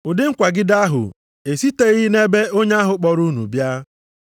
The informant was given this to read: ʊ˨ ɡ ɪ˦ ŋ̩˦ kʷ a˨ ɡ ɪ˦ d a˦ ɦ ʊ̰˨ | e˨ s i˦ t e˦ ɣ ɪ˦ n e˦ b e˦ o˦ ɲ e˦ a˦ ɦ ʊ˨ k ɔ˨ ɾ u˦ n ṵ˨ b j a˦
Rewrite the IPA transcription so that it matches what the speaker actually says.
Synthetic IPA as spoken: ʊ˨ d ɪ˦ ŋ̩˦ kʷ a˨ ɡ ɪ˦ d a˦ ɦ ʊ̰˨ | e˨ s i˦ t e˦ ɣ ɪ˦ n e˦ b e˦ o˦ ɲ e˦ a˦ ɦ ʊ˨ k͡p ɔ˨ ɾ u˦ n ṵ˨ b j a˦